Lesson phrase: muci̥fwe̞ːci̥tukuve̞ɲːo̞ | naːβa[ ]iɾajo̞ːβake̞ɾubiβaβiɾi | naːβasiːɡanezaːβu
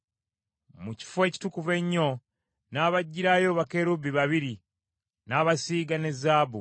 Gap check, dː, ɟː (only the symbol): ɟː